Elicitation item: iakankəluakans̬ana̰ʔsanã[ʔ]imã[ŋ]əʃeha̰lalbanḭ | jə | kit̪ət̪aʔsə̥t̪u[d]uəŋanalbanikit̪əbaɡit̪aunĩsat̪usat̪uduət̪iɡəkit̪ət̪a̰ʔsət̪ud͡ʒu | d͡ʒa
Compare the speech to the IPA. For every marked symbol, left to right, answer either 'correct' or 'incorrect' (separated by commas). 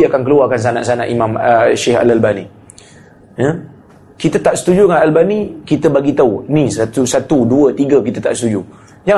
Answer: correct, incorrect, incorrect